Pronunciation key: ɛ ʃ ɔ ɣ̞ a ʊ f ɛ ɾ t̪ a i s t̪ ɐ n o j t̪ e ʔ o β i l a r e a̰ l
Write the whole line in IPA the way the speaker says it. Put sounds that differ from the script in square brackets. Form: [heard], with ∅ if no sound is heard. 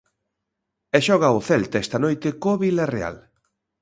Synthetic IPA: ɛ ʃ ɔ ɣ̞ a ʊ [θ] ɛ [l] t̪ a [ɛ] s t̪ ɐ n o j t̪ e [k] o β i l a r e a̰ l